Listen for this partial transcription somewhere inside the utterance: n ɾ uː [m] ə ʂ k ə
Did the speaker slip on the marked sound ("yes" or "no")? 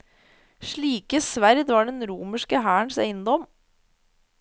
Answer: no